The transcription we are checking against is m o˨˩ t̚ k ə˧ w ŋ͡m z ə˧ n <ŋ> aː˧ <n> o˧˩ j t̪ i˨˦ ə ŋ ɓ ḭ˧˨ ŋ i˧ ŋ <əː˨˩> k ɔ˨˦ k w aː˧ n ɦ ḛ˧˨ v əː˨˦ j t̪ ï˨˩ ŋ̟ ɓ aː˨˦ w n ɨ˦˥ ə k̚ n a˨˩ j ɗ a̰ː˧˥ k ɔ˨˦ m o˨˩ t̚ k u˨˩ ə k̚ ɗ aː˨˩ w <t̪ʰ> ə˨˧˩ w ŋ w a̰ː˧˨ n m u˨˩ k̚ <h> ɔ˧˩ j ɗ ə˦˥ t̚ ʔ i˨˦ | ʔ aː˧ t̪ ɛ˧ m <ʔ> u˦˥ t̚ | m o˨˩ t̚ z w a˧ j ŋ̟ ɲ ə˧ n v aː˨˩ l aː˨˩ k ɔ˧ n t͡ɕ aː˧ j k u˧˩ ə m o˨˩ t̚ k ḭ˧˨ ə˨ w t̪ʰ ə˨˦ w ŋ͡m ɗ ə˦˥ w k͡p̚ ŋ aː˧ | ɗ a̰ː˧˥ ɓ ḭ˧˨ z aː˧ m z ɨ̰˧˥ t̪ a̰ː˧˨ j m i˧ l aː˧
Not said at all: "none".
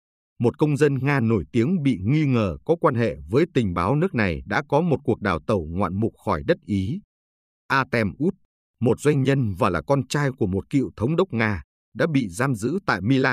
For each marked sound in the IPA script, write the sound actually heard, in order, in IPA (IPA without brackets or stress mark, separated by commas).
ŋ, n, əː˨˩, t̪, x, ʔ